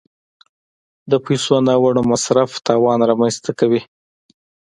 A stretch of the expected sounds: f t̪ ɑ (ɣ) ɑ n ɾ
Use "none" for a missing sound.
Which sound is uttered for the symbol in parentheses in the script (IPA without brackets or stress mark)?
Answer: w